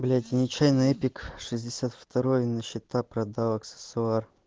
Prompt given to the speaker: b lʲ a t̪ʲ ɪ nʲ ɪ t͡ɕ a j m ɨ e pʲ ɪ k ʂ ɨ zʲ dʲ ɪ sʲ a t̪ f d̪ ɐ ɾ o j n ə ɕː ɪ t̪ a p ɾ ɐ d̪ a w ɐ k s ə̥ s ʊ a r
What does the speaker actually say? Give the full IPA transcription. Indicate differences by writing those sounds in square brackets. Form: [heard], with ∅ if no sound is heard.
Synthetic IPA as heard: b lʲ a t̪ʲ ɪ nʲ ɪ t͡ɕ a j [n] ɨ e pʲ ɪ k ʂ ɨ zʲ dʲ ɪ sʲ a t̪ f [t̪] ɐ ɾ o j n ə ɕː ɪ t̪ a p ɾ ɐ d̪ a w ɐ k s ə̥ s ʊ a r